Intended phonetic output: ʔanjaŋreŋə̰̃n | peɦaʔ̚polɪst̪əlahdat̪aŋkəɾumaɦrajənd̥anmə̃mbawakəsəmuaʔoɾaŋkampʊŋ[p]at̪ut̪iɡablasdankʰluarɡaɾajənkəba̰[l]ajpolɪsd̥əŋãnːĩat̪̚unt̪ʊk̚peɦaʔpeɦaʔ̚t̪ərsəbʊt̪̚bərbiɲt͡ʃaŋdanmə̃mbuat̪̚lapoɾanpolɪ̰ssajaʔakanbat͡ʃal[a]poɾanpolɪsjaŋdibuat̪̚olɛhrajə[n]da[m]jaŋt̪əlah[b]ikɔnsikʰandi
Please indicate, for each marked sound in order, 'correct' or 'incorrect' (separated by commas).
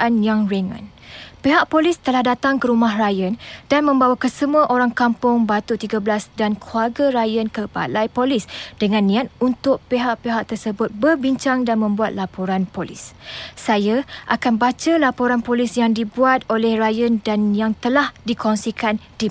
incorrect, correct, correct, correct, incorrect, incorrect